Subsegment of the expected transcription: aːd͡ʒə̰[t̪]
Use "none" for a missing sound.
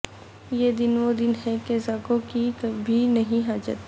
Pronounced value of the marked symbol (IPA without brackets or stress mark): t̪